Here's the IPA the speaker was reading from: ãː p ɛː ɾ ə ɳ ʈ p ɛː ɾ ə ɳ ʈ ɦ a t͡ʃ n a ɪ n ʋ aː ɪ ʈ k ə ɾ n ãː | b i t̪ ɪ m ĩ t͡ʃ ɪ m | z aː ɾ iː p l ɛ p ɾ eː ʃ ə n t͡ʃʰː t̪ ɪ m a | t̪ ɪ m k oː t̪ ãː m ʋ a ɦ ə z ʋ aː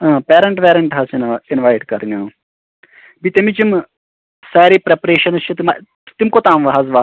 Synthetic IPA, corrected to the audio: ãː p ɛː ɾ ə ɳ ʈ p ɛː ɾ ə ɳ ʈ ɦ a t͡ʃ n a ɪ n ʋ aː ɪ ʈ k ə ɾ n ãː | b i t̪ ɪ m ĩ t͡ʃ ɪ m | s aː ɾ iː p ɾ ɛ p ɾ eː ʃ ə n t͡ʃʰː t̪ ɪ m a | t̪ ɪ m k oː t̪ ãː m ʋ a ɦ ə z ʋ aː